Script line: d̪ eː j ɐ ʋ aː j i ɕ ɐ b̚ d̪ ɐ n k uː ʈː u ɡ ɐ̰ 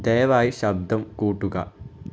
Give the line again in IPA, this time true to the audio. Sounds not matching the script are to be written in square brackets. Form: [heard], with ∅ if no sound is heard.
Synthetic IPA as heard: d̪ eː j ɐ ʋ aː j i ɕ ɐ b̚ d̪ ɐ [m] k uː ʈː u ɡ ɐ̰